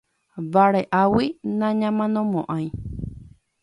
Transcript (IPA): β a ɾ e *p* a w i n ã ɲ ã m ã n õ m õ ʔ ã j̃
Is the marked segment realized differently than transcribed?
yes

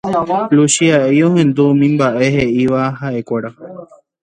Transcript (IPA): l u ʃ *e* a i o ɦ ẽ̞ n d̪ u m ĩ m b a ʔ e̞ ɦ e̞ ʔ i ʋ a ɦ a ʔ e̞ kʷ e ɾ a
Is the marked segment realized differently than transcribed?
yes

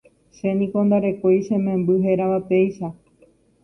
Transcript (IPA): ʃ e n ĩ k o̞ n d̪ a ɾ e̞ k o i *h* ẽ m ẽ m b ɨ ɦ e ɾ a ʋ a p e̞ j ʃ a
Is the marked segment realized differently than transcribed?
yes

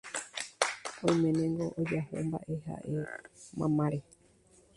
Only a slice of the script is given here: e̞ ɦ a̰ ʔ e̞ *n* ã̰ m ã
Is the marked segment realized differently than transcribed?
yes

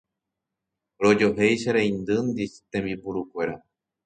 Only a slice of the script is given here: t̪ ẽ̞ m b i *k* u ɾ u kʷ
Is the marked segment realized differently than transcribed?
yes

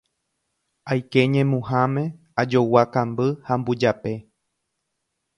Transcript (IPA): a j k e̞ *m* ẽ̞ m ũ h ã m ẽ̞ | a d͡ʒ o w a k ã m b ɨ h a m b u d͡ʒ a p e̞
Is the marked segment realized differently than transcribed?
yes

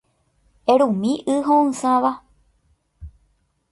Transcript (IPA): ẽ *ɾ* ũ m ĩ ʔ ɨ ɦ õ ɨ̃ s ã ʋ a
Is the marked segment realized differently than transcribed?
no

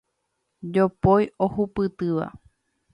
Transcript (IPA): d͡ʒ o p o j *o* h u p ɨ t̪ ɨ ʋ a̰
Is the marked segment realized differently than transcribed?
no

